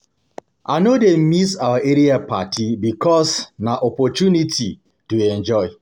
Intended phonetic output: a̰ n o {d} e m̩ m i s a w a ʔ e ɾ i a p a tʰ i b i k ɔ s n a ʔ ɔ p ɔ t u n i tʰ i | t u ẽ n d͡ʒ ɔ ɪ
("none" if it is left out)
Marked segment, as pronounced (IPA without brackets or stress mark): d